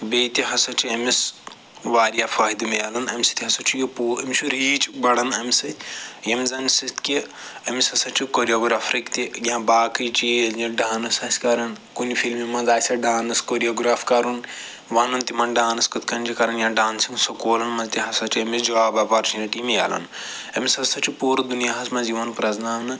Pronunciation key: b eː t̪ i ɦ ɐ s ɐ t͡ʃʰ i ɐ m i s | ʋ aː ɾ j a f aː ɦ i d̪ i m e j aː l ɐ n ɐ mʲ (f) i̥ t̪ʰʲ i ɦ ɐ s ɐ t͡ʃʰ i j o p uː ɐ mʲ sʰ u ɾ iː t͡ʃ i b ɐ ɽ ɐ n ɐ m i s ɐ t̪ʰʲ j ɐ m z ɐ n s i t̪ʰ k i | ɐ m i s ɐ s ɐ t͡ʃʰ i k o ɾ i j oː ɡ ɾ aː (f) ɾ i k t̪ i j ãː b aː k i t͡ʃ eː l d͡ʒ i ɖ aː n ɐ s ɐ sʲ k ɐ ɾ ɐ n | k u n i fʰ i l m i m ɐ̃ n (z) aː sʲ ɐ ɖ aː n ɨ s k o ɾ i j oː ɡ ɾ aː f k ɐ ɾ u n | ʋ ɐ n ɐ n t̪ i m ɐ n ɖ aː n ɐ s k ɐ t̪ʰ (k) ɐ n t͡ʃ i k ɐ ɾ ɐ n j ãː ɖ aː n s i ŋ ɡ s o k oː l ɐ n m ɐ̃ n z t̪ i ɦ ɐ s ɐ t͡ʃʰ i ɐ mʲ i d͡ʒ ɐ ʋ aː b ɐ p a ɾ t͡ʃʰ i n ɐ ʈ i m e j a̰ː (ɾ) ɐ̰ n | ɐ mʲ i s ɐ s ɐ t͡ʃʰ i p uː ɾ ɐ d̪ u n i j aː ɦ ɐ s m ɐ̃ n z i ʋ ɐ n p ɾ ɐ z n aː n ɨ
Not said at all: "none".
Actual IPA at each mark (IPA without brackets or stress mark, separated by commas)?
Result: s, f, z, k, l